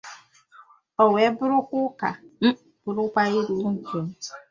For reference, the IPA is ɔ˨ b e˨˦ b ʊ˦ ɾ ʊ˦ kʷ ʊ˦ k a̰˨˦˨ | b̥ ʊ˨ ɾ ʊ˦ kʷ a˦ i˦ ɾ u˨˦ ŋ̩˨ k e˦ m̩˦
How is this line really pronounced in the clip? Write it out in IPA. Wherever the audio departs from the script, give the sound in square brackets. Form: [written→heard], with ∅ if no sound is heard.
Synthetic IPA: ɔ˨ [b→w] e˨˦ b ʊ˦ ɾ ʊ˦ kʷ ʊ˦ k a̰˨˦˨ | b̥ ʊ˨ ɾ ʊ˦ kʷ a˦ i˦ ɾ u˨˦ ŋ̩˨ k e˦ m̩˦

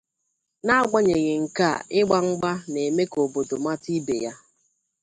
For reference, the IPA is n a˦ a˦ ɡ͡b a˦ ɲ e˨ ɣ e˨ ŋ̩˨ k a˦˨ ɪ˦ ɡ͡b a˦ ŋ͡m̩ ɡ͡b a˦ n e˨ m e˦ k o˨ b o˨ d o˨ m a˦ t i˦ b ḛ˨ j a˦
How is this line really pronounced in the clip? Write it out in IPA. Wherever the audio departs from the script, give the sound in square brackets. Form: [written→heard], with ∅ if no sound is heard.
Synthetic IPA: n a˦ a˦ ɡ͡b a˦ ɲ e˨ ɣ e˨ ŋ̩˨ k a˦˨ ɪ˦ ɡ͡b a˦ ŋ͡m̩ ɡ͡b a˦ n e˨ m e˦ k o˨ b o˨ d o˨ m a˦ t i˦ b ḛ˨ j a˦

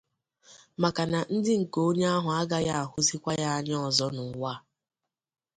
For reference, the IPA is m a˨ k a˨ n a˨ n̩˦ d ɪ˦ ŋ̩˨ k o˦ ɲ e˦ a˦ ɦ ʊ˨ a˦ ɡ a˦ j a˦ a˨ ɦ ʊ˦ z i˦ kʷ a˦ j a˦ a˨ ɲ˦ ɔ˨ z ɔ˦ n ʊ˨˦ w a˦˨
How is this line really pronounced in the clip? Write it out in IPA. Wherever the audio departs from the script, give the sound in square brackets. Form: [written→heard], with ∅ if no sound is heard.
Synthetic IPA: m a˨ k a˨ n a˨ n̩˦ d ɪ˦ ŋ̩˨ k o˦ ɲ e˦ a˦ ɦ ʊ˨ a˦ ɡ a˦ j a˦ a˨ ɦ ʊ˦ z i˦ kʷ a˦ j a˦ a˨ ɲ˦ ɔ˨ z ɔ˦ n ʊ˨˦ w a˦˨

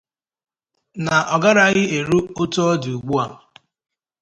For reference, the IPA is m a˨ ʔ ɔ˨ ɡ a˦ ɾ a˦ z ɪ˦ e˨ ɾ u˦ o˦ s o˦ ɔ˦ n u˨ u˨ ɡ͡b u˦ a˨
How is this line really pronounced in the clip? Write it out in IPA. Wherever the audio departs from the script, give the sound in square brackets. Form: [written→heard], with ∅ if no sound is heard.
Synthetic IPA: [m→n] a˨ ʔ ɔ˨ ɡ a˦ ɾ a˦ [z→ɣ] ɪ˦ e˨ ɾ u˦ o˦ [s→t] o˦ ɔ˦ [n→d] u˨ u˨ ɡ͡b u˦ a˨

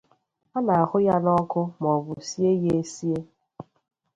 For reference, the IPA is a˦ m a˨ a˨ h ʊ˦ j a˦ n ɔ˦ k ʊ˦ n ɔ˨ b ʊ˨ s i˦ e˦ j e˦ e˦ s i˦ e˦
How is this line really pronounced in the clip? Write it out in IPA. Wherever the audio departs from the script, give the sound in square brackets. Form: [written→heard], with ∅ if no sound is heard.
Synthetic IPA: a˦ [m→n] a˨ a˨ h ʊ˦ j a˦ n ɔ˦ k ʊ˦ [n→m] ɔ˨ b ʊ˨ s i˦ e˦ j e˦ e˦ s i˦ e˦

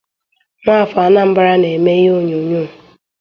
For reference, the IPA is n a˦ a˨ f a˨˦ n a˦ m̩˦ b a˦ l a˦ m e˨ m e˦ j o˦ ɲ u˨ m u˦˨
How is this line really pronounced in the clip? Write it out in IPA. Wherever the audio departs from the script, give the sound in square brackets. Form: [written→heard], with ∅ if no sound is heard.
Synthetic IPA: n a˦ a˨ f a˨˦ n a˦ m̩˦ b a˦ [l→ɾ] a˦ [m→n] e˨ m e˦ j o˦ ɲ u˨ [m→ɲ] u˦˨

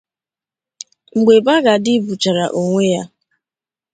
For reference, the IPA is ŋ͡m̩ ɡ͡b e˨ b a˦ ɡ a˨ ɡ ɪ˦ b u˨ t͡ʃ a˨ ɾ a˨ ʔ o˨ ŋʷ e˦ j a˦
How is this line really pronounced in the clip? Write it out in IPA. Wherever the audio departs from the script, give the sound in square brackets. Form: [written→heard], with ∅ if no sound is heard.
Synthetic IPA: ŋ͡m̩ ɡ͡b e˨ b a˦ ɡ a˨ [ɡ→d] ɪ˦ b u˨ t͡ʃ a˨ ɾ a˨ ʔ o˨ ŋʷ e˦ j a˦

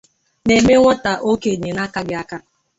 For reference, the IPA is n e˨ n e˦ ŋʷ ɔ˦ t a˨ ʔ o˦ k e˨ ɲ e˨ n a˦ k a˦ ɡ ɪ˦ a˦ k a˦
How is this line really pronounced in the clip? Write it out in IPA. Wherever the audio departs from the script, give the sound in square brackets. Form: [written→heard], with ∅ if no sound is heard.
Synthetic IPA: n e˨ [n→m] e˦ ŋʷ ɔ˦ t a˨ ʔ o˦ k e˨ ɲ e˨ n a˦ k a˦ ɡ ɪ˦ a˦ k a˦

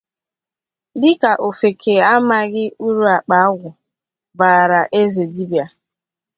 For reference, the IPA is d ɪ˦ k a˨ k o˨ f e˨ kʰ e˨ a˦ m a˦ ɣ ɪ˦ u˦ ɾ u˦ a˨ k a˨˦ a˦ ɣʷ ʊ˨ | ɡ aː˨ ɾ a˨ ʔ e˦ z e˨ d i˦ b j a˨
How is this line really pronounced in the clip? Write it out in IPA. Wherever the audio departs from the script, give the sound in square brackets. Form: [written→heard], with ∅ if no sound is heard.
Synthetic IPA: d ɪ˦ k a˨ [k→ʔ] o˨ f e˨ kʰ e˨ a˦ m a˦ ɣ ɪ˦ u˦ ɾ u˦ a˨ [k→k͡p] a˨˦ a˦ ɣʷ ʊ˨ | [ɡ→b] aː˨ ɾ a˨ ʔ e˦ z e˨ d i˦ b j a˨

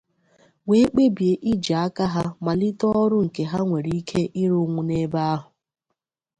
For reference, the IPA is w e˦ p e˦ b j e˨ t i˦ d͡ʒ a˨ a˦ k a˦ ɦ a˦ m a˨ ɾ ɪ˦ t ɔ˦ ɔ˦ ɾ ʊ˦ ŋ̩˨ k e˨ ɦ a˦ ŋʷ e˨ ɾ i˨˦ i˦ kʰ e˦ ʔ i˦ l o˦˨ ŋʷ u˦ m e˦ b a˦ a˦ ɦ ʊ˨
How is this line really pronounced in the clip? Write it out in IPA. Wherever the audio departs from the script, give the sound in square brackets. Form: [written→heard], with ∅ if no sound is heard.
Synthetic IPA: w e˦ [p→k͡p] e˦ b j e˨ [t→ʔ] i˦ d͡ʒ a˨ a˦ k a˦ ɦ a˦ m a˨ [ɾ→l] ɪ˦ t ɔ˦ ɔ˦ ɾ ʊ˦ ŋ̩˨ k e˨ ɦ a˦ ŋʷ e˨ ɾ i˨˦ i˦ kʰ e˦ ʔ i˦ [l→ɾ] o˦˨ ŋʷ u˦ [m→n] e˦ b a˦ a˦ ɦ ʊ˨

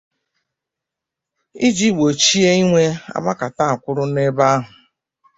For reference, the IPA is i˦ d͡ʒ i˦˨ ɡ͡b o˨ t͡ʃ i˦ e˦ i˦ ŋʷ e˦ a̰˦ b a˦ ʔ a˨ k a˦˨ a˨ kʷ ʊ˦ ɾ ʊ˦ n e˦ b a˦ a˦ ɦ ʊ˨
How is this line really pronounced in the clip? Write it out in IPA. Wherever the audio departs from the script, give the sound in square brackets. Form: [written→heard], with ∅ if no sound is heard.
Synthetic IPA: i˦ d͡ʒ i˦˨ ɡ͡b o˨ t͡ʃ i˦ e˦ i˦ ŋʷ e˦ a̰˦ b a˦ [ʔ→k] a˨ [k→t] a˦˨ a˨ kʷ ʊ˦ ɾ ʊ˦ n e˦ b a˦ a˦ ɦ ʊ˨

